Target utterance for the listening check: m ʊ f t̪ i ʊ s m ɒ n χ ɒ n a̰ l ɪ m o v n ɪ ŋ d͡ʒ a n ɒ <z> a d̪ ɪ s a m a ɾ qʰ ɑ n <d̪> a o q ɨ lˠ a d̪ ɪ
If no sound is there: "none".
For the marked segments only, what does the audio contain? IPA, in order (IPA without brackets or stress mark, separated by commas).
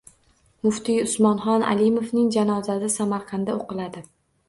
z, d̪